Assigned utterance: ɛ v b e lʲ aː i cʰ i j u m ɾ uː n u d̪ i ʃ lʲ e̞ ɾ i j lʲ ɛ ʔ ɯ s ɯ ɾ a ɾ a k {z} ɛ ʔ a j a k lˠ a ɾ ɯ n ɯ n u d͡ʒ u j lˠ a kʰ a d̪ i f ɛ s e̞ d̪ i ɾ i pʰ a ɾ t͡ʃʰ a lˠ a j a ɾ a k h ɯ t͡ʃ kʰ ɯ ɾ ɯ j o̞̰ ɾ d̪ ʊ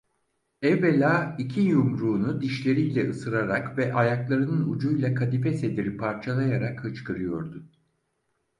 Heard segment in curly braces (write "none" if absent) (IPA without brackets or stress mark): v